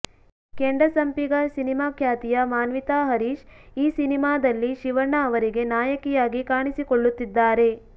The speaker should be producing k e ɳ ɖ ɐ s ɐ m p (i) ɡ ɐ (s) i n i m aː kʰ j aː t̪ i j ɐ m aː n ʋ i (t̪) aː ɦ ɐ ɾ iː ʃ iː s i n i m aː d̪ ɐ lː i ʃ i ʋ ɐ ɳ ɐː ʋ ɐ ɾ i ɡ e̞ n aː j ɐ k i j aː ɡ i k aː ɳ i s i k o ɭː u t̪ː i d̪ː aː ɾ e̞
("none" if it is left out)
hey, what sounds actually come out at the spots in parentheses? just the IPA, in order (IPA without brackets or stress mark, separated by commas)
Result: i, s, t̪